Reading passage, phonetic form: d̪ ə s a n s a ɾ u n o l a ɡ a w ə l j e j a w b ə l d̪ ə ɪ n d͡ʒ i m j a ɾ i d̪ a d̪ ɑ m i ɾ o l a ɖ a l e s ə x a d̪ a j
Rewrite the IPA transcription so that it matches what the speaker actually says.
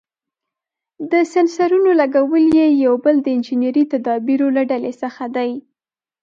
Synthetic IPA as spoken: d̪ ə s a n s a ɾ u n o l a ɡ a w ə l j e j a w b ə l d̪ ə ɪ n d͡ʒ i n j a ɾ i t̪ a d̪ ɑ b i ɾ o l a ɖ a l e s ə x a d̪ a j

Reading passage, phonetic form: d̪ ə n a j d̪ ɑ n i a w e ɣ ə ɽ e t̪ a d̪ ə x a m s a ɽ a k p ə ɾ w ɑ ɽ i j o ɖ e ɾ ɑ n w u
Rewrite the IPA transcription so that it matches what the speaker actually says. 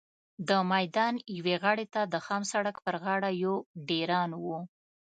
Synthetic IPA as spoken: d̪ ə m a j d̪ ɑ n j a w e ɣ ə ɽ e t̪ a d̪ ə x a m s a ɽ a k p ə ɾ ɣ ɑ ɽ a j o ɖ e ɾ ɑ n w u

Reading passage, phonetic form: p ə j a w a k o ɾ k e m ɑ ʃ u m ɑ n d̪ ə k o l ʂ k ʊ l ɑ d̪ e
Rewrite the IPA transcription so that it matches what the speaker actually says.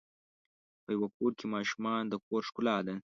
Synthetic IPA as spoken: p ə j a w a k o ɾ k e m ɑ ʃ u m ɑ n d̪ ə k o ɾ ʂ k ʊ l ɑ d̪ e

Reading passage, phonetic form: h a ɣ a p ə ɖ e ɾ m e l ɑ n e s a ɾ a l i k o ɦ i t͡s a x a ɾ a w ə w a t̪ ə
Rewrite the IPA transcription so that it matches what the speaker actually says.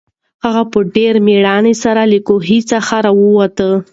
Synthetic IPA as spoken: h a ɣ a p ə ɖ e ɾ m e ɽ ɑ n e s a ɾ a l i k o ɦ i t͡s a x a ɾ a w ə w a t̪ ə

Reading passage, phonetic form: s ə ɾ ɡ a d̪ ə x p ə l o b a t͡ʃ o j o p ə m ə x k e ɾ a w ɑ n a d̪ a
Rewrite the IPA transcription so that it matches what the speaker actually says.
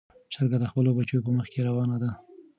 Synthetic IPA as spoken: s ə ɾ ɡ a d̪ ə x p ə l o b a t͡ʃ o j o p ə m ə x k e ɾ a w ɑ n a d̪ a

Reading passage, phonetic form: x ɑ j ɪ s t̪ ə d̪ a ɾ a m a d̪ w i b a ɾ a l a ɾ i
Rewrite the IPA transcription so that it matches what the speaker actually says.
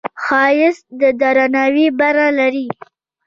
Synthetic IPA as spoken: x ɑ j ɪ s d̪ ə d̪ a ɾ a n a w i b a ɾ a l a ɾ i

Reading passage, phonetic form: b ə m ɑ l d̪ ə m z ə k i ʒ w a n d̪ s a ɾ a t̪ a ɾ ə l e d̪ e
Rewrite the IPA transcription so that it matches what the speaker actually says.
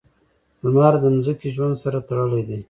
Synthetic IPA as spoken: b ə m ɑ ɾ d̪ ə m z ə k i ʒ w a n d̪ s a ɾ a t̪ a ɽ ə l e d̪ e

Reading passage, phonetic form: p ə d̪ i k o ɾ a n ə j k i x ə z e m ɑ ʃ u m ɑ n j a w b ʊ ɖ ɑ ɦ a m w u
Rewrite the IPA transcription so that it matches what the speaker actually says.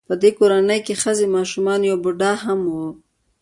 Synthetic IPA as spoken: p ə d̪ e k o ɾ a n ə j k e x ə z e m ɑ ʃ u m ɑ n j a w b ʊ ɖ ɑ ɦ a m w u

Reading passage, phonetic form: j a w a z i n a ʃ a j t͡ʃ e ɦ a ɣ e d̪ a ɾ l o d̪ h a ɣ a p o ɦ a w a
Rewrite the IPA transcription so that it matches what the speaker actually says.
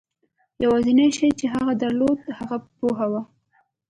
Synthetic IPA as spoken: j a w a z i n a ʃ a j t͡ʃ e ɦ a ɣ a d̪ a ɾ l o d̪ h a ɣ a p o ɦ a w a

